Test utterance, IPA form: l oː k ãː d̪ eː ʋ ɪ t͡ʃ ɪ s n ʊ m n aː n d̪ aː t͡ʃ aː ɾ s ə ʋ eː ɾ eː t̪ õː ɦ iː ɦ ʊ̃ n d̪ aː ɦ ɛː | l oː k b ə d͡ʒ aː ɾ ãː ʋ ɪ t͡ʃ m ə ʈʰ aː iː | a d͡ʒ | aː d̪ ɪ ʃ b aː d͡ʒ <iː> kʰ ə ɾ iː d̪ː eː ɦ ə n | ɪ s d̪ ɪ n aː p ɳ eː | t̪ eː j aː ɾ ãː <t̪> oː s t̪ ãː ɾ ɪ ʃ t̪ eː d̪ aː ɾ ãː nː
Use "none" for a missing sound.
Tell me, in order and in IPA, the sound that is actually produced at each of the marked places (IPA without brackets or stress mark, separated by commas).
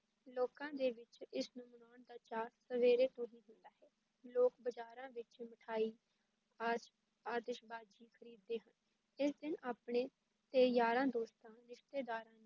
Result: iː, d̪